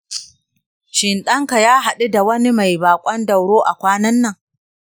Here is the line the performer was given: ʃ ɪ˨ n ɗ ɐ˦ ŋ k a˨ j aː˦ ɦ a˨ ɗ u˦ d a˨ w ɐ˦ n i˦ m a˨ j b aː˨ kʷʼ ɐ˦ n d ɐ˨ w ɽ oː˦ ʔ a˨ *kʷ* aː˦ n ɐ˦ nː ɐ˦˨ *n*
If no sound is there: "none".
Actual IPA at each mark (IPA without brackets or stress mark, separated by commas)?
kʷ, ŋ